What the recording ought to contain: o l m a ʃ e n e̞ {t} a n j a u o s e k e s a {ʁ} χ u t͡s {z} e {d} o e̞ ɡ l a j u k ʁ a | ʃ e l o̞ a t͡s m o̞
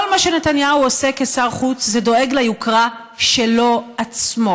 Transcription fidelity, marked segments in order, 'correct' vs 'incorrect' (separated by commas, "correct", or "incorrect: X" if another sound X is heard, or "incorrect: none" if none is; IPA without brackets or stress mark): correct, correct, correct, correct